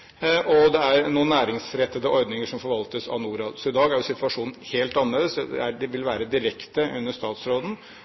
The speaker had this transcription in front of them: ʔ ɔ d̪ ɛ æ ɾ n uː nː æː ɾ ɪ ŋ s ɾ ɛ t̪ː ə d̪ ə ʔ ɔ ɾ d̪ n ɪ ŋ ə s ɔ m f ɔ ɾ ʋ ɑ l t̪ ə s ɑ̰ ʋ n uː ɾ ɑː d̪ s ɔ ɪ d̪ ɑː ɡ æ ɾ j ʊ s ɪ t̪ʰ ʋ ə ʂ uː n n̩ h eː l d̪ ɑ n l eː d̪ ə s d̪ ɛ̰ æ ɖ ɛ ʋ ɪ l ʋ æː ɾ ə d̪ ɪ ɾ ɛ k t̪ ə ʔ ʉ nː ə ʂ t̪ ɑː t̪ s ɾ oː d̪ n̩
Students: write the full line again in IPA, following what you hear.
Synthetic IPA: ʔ ɔ d̪ ɛ æ ɾ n uː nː æː ɾ ɪ ŋ s ɾ ɛ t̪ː ə d̪ ə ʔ ɔ ɾ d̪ n ɪ ŋ ə ʂ ɔ m f ɔ ɾ ʋ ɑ l t̪ ə s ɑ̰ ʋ n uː ɾ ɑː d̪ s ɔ ɪ d̪ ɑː ɡ æ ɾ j ʊ s ɪ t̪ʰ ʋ ɑ ʂ uː n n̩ h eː l t̪ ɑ n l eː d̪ ə s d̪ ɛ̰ æ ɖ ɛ ʋ ɪ l ʋ æː ɾ ə d̪ ɪ ɾ ɛ k t̪ ə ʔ ʉ nː ə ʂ t̪ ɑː t̪ s ɾ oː d̪ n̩